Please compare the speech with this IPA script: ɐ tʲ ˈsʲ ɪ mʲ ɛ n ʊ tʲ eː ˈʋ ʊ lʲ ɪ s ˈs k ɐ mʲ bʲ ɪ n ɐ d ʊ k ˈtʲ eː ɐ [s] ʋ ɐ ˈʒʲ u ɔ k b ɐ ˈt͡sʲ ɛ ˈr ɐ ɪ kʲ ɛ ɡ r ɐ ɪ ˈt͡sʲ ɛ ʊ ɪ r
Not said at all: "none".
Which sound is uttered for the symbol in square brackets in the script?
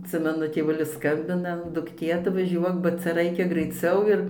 t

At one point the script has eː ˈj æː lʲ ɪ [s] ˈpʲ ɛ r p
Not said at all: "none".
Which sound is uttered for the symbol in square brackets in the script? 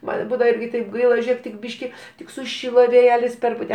s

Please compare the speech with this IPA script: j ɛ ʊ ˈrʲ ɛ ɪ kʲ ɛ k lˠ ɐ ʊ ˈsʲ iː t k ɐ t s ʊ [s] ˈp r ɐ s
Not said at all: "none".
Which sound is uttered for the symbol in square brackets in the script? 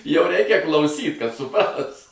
none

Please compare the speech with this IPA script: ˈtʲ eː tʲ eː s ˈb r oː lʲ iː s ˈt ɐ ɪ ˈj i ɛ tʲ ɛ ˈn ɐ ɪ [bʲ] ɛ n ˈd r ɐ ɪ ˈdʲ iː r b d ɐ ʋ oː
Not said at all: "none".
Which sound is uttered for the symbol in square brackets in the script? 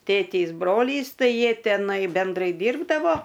bʲ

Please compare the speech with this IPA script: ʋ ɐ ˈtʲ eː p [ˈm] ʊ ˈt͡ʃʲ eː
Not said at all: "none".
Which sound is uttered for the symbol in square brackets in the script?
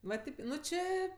n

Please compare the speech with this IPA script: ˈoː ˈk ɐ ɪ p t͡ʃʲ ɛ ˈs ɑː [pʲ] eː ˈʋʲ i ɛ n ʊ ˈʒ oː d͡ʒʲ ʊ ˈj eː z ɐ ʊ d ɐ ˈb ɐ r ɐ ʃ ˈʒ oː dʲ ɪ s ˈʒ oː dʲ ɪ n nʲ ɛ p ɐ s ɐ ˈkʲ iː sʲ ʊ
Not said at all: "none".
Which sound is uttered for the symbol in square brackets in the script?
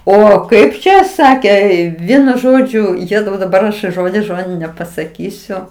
kʲ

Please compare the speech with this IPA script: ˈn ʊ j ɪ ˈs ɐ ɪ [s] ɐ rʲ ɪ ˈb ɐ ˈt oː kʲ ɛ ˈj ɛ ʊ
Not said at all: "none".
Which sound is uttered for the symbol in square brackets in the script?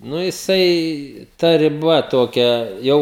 t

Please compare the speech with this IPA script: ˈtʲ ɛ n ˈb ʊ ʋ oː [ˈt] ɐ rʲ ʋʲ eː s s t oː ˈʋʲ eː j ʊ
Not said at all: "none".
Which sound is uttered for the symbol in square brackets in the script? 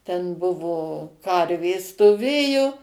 k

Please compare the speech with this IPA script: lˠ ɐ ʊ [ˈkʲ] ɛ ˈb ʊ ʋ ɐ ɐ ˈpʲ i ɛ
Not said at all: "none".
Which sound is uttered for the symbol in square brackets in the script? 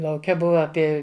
kʲ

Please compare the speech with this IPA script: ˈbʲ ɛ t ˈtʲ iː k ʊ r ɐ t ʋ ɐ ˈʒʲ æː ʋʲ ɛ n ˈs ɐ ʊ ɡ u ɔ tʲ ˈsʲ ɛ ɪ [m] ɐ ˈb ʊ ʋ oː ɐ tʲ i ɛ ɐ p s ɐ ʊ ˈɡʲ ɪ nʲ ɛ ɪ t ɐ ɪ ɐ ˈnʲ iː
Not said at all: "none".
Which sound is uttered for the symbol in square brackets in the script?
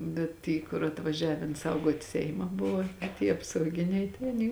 m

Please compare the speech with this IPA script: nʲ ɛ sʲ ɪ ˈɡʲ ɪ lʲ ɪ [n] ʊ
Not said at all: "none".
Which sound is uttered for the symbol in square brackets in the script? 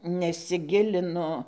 n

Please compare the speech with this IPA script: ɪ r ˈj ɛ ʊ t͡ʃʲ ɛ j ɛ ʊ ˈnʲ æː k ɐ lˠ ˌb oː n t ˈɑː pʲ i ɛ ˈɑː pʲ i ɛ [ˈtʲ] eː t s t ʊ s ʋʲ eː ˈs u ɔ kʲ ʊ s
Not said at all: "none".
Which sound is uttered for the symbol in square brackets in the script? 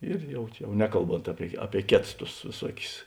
kʲ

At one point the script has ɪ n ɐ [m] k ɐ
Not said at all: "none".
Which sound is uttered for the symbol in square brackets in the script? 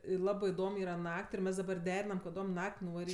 m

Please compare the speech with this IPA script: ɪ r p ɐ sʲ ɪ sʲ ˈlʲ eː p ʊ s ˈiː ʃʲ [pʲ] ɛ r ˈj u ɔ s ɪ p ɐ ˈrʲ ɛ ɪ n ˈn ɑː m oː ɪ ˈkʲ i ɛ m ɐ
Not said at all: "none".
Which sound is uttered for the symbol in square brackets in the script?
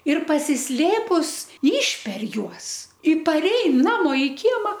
pʲ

